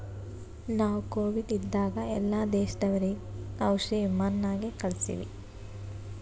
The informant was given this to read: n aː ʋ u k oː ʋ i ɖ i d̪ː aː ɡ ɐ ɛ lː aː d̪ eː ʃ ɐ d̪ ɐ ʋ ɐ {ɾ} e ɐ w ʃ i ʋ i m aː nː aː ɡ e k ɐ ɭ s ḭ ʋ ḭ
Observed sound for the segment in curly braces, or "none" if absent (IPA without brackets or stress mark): ɾ